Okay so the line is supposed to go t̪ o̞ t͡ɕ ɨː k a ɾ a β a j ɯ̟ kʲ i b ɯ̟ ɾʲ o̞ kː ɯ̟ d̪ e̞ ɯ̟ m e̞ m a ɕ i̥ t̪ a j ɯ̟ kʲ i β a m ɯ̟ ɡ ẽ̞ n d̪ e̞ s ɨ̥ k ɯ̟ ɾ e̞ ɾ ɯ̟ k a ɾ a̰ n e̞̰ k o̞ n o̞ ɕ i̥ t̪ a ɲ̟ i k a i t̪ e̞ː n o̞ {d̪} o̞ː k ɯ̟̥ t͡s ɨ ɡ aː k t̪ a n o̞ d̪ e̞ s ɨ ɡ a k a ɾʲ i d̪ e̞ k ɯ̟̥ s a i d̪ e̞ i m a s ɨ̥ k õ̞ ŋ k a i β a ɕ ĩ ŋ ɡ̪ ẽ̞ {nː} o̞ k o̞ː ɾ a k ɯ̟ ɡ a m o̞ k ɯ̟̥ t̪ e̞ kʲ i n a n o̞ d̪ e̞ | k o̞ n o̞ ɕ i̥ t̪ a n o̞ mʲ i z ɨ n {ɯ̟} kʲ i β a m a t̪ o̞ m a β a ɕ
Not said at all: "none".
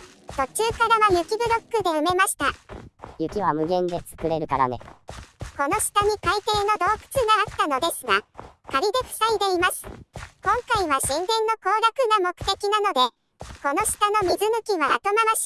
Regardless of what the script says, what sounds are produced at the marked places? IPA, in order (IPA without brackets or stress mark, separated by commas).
d̪, nː, ɯ̟